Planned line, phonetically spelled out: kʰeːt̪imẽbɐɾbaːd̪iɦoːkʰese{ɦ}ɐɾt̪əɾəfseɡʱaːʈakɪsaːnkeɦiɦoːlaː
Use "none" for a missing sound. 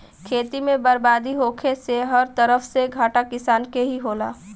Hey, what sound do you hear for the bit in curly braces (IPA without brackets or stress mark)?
ɦ